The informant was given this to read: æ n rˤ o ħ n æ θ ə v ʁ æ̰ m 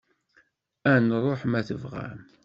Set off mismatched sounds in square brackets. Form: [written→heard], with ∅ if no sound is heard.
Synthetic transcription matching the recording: æ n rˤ o ħ [n→m] æ θ ə v ʁ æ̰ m